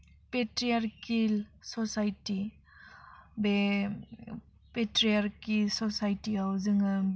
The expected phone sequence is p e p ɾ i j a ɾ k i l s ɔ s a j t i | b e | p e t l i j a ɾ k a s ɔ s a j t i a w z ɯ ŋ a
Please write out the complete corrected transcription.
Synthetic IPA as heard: p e t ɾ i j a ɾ k i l s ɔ s a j t i | b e | p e t ɾ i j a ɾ k i s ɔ s a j t i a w z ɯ ŋ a